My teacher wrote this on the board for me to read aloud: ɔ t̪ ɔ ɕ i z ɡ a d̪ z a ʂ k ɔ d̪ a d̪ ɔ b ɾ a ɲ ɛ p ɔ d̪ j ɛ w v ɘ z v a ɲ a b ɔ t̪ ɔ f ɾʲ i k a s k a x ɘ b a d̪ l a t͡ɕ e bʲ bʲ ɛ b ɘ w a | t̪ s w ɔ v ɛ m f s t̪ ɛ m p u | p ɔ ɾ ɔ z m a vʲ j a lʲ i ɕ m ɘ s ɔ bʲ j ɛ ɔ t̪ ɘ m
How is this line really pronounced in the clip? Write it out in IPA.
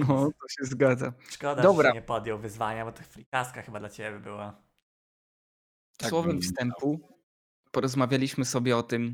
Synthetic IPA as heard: ɔ t̪ ɔ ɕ ɛ z ɡ a d̪ z a ʂ k ɔ d̪ a d̪ ɔ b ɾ a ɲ ɛ p ɔ d̪ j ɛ w v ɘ z v a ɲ a b ɔ t̪ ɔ f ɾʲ i k a s k a x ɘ b a d̪ l a t͡ɕ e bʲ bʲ ɛ b ɘ w a | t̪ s w ɔ v ɛ m f s t̪ ɛ m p u | p ɔ ɾ ɔ z m a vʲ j a lʲ i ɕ m ɘ s ɔ bʲ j ɛ ɔ t̪ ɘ m